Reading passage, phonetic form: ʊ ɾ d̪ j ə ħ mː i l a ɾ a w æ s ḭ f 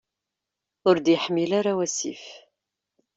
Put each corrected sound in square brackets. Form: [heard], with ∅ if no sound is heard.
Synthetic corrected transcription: ʊ ɾ d̪ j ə ħ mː i l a ɾ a w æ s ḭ f